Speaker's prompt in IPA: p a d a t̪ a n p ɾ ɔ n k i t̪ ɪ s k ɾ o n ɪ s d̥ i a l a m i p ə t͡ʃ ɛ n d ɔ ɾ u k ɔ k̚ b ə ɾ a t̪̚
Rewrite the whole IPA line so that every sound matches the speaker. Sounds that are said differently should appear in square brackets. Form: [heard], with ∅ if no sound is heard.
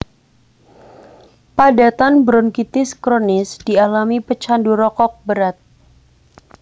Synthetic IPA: p a d a t̪ a n [b] ɾ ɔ n k i t̪ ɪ s k ɾ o n ɪ s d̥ i a l a m i p ə t͡ʃ [a] n d [u] ɾ [ɔ] k ɔ k̚ b ə ɾ a t̪̚